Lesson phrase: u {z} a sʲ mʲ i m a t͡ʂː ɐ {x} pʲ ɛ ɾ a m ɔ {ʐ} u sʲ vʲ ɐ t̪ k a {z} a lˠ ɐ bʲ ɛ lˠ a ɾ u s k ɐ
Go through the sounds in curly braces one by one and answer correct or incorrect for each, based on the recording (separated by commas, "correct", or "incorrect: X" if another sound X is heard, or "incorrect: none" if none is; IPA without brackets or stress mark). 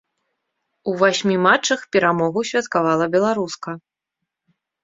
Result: incorrect: v, correct, incorrect: ɣ, incorrect: v